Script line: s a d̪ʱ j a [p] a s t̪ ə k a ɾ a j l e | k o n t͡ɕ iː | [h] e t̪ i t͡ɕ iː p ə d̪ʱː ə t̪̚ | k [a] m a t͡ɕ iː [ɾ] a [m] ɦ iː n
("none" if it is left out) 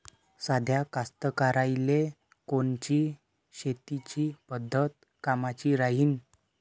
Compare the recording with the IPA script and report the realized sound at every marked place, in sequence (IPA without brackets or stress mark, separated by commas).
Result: k, ɕ, a, ɾ, none